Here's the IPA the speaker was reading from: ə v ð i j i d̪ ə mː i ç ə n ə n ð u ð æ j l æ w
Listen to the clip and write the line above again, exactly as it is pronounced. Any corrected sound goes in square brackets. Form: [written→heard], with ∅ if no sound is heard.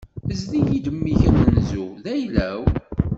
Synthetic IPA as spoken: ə [v→z] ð i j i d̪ ə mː i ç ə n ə n [ð→z] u ð æ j l æ w